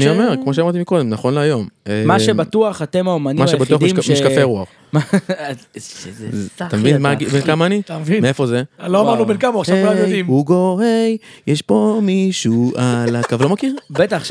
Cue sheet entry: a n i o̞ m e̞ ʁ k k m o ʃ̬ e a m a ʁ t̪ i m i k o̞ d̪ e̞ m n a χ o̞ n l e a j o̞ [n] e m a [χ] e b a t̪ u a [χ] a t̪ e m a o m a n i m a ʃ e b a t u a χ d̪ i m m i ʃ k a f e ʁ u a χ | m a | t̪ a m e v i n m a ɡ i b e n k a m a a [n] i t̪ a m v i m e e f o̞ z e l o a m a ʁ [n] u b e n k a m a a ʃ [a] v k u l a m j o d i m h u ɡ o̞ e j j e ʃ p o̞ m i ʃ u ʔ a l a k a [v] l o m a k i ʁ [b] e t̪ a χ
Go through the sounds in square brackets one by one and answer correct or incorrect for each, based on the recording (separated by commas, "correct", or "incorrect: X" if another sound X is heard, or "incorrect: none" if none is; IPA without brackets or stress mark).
incorrect: m, incorrect: ʃ, correct, correct, correct, correct, correct, correct